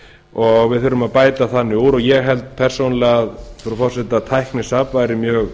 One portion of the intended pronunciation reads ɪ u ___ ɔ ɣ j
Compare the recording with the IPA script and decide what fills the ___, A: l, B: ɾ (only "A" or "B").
B